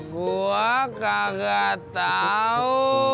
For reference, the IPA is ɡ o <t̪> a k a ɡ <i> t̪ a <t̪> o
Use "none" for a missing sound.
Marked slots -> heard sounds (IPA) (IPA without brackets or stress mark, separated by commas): none, a, none